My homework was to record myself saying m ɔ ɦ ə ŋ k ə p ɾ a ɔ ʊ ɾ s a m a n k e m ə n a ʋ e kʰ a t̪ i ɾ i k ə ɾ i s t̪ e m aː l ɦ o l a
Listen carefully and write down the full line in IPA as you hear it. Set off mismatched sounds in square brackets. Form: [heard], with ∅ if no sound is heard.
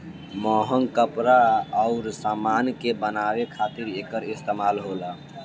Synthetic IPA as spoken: m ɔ ɦ ə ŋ k ə p ɾ a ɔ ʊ ɾ s a m a n k e [b] ə n a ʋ e kʰ a t̪ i ɾ [e] k ə ɾ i s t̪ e m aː l ɦ o l a